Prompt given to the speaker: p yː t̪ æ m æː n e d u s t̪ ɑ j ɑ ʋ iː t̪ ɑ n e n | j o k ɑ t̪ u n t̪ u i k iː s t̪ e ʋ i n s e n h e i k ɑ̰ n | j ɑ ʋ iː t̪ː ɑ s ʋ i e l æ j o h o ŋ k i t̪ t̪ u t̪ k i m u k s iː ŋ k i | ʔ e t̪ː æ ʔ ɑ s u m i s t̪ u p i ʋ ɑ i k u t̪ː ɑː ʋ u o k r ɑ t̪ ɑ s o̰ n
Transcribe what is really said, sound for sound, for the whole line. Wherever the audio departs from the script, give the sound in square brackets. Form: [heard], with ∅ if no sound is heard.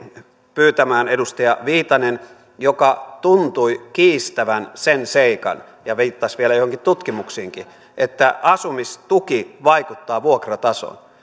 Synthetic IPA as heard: p yː t̪ æ m æː n e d u s t̪ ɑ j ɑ ʋ iː t̪ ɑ n e n | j o k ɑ t̪ u n t̪ u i k iː s t̪ [æ] ʋ [æ] n s e n [s] e i k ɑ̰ n | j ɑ ʋ iː t̪ː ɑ s ʋ i e l æ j o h o ŋ k i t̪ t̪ u t̪ k i m u k s iː ŋ k i | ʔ e t̪ː æ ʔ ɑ s u m i s t̪ u [k] i ʋ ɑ i k u t̪ː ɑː ʋ u o k r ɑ t̪ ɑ s o̰ n